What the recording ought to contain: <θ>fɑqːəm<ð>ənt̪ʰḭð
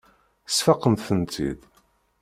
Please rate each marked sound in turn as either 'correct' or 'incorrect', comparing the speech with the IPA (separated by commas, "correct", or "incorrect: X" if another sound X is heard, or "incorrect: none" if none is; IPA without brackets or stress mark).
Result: incorrect: s, incorrect: θ